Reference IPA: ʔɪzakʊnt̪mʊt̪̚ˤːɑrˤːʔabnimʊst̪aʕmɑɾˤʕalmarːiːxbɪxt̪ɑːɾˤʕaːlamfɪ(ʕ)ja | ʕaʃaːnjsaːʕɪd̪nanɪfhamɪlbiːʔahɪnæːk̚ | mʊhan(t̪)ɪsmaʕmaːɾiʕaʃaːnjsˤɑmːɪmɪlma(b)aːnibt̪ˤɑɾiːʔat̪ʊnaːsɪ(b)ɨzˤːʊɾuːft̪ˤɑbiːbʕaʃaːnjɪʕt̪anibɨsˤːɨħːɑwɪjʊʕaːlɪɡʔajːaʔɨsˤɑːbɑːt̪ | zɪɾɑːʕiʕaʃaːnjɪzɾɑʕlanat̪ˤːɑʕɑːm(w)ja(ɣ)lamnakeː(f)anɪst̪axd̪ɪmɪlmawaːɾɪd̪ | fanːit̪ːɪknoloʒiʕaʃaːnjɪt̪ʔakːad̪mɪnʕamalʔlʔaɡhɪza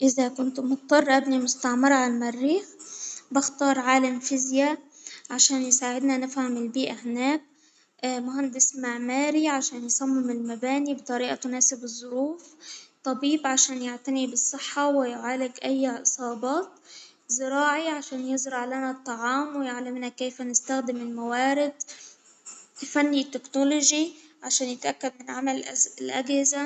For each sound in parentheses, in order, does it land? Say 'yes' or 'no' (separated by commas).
no, no, yes, yes, yes, no, yes